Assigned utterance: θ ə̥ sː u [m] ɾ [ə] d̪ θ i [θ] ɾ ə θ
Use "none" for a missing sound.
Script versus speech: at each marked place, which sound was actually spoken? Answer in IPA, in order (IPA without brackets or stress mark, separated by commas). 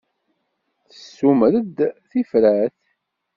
m, ə, f